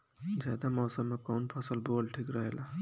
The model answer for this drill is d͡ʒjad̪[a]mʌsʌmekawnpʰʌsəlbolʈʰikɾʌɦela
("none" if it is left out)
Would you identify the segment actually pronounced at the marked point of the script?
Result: a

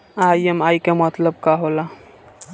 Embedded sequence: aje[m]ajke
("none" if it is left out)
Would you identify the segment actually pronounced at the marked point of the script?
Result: m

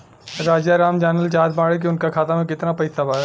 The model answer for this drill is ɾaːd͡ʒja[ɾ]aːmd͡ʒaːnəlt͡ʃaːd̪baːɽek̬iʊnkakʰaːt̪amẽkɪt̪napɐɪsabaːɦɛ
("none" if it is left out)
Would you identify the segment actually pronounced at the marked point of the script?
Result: ɾ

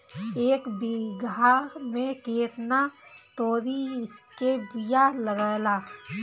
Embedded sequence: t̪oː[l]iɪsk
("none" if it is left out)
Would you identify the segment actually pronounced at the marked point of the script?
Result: ɾ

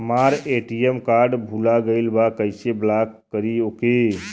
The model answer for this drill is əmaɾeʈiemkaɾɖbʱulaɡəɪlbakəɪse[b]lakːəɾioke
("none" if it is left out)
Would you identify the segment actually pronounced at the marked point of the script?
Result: b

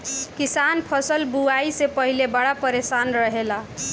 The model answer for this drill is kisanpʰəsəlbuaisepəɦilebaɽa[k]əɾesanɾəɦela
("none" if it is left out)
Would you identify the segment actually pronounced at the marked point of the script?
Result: p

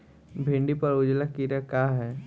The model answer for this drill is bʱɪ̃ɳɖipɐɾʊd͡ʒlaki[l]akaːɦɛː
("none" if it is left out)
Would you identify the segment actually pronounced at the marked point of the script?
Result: ɾ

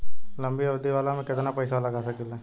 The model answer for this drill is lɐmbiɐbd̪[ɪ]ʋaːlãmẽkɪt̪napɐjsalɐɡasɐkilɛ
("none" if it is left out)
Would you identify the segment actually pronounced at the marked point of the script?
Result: i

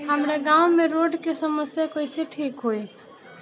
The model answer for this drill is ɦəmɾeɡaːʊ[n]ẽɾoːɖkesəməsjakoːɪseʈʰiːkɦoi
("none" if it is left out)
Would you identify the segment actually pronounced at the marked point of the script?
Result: m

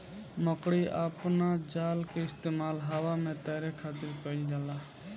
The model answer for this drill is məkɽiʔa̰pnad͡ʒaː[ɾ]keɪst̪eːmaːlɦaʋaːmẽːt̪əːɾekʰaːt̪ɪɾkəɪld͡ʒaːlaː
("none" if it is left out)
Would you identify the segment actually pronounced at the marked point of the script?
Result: l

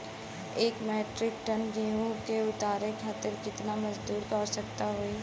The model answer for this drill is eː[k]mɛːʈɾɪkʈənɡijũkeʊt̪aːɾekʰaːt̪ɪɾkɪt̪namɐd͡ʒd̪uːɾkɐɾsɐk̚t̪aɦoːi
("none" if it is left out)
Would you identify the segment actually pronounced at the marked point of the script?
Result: k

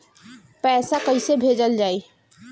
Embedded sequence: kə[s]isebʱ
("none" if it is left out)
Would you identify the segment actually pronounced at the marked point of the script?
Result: none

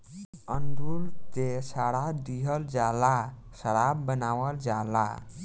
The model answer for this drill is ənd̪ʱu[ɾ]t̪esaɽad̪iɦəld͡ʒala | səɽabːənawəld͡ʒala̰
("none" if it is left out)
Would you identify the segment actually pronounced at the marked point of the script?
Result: l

